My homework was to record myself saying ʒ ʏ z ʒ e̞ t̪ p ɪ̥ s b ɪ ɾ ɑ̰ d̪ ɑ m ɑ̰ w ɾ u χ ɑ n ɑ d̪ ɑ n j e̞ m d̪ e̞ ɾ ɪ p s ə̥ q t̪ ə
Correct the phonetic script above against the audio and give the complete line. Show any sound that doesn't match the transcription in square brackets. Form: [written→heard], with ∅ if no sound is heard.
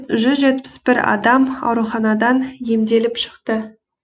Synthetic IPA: ʒ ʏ z ʒ e̞ t̪ p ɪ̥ s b ɪ ɾ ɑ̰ d̪ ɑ m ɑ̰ w ɾ u χ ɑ n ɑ d̪ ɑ n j e̞ m d̪ e̞ [ɾ→l] ɪ p [s→ʃ] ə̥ q t̪ ə

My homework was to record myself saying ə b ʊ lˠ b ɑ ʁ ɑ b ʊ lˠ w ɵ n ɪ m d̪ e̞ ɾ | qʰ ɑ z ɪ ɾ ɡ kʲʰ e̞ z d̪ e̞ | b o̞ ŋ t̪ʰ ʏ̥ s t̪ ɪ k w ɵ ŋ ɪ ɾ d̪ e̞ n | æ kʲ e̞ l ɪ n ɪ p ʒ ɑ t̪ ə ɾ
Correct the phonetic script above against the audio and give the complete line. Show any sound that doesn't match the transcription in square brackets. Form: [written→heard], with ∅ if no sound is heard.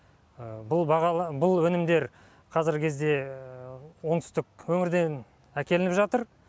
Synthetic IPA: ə b ʊ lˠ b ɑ ʁ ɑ b ʊ lˠ w ɵ n ɪ m d̪ e̞ ɾ | qʰ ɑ z ɪ ɾ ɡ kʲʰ e̞ z d̪ e̞ | [b→w] o̞ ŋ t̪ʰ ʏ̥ s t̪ ɪ k w ɵ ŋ ɪ ɾ d̪ e̞ n | æ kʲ e̞ l ɪ n ɪ p ʒ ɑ t̪ ə ɾ

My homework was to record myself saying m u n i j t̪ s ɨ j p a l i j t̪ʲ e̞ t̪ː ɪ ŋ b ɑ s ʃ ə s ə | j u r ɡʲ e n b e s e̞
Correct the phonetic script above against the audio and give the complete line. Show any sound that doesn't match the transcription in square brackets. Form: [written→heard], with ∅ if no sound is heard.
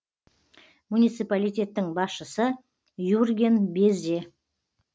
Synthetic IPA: m u n i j t̪ s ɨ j p a l i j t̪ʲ e̞ t̪ː ɪ ŋ b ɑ s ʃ ə s ə | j u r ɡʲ e n b e [s→z] e̞

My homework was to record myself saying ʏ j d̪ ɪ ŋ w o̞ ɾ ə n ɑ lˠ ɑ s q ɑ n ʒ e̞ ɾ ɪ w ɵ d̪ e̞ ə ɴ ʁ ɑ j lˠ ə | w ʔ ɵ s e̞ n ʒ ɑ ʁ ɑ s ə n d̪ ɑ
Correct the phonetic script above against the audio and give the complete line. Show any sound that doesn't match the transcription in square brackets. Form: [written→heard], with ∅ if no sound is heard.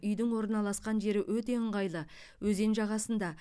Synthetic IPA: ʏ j d̪ ɪ ŋ w o̞ ɾ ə n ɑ lˠ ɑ s q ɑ n ʒ e̞ ɾ ɪ w ɵ [d̪→t̪] e̞ ə ɴ ʁ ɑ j lˠ ə | w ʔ ɵ [s→z] e̞ n ʒ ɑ ʁ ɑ s ə n d̪ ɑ

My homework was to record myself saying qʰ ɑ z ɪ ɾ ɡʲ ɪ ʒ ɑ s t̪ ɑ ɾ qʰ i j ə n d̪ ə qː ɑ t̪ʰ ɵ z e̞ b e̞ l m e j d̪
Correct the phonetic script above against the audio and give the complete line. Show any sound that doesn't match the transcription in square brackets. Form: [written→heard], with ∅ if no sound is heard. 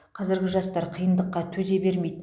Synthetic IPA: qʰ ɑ z ɪ ɾ ɡʲ ɪ ʒ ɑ s t̪ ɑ ɾ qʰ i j ə n d̪ ə qː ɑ t̪ʰ ɵ z e̞ b e̞ [l→ɾ] m e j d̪

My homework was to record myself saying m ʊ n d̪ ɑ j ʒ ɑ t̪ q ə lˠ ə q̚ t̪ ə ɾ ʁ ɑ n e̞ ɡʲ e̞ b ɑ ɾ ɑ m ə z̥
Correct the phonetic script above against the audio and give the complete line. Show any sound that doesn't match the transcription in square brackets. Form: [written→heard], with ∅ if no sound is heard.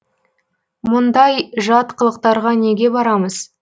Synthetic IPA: m ʊ n d̪ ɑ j ʒ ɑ t̪ q ə lˠ ə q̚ t̪ [ə→ɑ] ɾ ʁ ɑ n e̞ ɡʲ e̞ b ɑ ɾ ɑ m ə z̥

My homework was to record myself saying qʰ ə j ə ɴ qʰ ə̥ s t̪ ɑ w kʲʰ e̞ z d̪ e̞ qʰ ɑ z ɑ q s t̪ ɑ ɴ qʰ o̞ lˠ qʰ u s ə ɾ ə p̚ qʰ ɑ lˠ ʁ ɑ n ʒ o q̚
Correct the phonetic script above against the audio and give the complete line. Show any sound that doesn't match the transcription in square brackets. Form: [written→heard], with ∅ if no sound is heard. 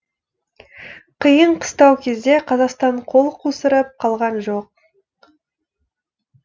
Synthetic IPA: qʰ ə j ə ɴ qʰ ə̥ s t̪ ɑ w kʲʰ e̞ z d̪ e̞ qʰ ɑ z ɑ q s t̪ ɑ ɴ qʰ o̞ lˠ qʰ u s ə ɾ ə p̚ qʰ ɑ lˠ ʁ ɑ n ʒ o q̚

